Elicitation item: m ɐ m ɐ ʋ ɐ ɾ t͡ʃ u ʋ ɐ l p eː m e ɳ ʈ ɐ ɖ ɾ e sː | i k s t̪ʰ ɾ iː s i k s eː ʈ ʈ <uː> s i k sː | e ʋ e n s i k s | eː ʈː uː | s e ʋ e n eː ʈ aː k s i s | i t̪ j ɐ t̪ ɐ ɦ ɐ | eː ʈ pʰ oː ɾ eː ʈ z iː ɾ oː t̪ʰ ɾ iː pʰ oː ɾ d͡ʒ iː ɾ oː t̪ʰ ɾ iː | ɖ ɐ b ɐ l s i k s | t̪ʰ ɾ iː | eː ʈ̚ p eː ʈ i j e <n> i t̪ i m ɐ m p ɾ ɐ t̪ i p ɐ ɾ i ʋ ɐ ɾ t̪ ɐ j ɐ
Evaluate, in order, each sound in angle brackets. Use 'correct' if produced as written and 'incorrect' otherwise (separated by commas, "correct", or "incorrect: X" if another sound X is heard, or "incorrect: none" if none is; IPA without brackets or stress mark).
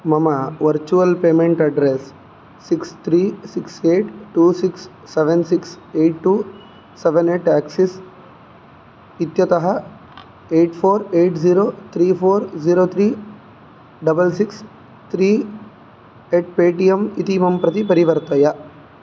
correct, incorrect: m